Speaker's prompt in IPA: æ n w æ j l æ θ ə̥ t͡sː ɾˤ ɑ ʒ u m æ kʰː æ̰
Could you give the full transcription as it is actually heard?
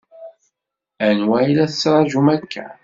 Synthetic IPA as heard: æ n w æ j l æ θ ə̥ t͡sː ɾˤ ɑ ʒ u m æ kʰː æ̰